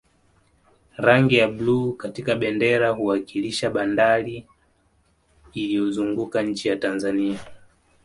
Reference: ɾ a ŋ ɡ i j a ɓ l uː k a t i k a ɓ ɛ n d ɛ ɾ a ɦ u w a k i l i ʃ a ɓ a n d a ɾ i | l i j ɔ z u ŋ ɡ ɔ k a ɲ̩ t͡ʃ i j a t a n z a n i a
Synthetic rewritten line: ɾ a ŋ ɡ i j a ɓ l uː k a t i k a ɓ ɛ n d ɛ ɾ a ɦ u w a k i l i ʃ a ɓ a n d a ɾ i | l i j ɔ z u ŋ ɡ u k a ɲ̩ t͡ʃ i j a t a n z a n i a